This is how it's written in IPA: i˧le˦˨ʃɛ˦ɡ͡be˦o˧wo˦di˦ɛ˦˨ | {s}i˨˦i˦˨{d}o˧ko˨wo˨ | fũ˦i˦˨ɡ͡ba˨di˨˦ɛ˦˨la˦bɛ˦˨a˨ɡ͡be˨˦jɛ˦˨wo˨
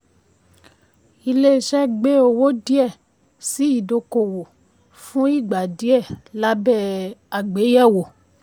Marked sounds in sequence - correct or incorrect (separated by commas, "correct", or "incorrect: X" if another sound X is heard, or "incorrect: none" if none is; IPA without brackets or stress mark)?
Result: correct, correct